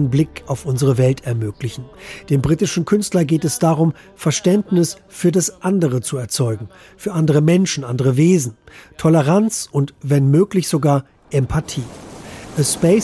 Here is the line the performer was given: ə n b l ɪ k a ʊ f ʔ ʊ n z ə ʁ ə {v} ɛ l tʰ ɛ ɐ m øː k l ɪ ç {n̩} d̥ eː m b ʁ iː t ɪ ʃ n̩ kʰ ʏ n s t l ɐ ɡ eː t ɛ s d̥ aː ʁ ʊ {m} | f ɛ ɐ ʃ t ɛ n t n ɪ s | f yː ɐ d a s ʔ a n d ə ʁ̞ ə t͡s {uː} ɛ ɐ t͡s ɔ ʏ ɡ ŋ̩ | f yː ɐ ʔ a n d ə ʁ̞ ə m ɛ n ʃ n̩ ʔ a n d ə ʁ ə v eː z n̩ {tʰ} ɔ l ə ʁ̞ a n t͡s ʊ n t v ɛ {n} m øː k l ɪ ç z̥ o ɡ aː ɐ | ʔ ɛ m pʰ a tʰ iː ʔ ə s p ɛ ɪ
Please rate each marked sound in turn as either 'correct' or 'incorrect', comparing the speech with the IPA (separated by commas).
correct, correct, correct, incorrect, correct, correct